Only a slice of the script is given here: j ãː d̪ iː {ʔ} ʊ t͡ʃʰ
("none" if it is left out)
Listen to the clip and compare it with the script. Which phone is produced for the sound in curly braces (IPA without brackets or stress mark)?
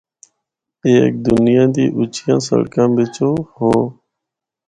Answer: ʔ